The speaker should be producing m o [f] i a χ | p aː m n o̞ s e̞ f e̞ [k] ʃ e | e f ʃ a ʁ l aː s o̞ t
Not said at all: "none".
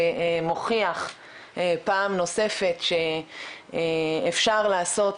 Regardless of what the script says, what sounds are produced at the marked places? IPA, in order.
χ, t

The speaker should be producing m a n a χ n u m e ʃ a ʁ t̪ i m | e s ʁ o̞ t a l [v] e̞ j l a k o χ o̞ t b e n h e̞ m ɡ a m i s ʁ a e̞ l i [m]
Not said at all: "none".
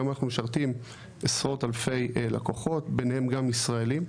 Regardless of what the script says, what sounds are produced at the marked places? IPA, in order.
f, m

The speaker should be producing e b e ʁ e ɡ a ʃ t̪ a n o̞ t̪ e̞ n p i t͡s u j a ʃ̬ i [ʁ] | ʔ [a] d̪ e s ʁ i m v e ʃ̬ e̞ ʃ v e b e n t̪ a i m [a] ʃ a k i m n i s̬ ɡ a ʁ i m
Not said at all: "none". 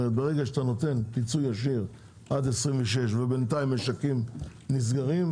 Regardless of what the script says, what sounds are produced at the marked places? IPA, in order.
ʁ, a, e

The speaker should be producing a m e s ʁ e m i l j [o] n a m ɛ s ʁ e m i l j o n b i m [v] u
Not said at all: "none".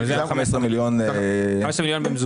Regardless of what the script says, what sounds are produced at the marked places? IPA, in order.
o, z

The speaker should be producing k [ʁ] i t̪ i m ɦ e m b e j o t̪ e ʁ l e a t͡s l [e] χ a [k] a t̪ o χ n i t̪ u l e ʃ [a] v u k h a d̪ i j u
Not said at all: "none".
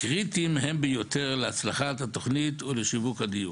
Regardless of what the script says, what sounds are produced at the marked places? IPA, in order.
ʁ, a, t, i

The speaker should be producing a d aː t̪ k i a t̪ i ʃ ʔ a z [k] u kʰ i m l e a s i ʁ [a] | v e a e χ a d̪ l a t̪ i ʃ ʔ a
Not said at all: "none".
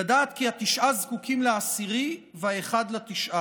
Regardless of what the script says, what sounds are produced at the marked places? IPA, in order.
k, i

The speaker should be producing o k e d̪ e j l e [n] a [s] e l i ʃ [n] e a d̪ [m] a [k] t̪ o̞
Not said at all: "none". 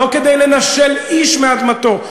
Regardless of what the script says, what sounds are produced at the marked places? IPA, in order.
n, ʃ, m, m, none

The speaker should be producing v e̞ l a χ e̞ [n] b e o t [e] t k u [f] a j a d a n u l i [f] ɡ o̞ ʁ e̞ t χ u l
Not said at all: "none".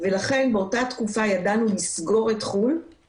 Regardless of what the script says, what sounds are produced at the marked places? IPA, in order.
n, a, f, s

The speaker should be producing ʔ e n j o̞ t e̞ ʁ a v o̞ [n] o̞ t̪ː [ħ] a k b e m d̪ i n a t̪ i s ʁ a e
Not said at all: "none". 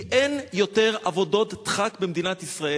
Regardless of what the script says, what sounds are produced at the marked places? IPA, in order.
d, χ

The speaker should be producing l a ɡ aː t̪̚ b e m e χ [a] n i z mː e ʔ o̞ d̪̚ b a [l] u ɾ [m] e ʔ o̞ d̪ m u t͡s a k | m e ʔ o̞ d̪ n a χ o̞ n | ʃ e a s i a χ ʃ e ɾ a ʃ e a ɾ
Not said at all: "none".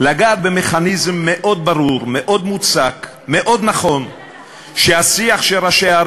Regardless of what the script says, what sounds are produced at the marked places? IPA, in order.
a, ɾ, m

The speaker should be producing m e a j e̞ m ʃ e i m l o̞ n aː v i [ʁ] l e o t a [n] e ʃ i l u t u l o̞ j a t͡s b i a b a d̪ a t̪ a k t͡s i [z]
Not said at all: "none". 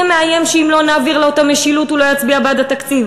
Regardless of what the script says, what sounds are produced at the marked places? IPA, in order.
ʁ, m, v

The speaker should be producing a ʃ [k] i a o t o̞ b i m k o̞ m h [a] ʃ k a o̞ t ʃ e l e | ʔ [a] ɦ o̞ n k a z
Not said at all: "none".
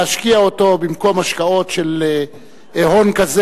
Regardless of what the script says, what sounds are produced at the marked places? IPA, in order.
k, a, e

